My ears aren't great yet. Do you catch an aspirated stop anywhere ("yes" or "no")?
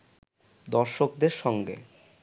no